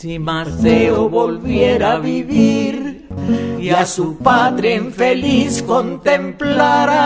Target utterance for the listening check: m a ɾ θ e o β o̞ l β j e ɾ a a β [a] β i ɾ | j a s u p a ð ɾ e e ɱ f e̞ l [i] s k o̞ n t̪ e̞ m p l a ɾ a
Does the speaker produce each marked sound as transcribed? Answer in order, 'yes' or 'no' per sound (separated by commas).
no, yes